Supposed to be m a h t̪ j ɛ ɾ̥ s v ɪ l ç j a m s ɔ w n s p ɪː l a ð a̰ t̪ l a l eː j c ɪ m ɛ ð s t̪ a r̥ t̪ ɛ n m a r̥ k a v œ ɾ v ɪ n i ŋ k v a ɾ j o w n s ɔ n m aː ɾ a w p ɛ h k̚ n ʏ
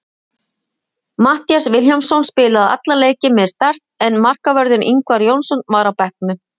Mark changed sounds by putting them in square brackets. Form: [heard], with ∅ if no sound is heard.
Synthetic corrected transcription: m a h t̪ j [a] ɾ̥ s v ɪ l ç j a m s ɔ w n s p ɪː l a ð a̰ t̪ l a l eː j c ɪ m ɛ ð s t̪ a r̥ t̪ ɛ n m a r̥ k a v œ ɾ [ð] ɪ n i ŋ k v a ɾ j o w n s ɔ n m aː ɾ a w p ɛ h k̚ n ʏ